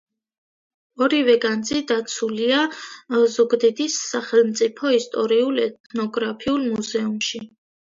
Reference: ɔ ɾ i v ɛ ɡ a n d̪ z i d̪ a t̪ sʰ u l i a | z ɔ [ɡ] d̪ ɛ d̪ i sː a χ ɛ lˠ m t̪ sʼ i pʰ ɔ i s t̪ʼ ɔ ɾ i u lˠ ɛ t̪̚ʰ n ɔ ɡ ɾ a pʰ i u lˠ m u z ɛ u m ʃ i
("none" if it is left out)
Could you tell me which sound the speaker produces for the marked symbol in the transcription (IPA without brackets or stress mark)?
ɡ